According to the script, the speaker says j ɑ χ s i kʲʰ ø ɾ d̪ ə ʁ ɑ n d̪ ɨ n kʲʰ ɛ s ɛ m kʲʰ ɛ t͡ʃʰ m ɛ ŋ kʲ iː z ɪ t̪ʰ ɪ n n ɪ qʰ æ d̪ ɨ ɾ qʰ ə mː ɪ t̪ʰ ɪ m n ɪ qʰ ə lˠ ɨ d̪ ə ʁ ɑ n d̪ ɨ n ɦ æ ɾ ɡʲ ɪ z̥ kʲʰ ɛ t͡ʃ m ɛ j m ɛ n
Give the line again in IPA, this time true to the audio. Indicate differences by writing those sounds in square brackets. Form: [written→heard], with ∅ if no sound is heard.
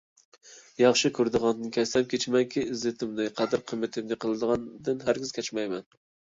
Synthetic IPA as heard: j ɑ χ [s→ʃ] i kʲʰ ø ɾ d̪ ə ʁ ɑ n d̪ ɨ n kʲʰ ɛ s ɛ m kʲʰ [ɛ→e] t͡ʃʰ m ɛ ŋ kʲ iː z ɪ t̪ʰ ɪ [n→m] n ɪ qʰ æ d̪ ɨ ɾ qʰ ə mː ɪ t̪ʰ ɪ m n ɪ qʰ ə lˠ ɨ d̪ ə ʁ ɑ n d̪ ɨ n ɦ æ ɾ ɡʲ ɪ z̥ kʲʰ ɛ t͡ʃ m ɛ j m ɛ n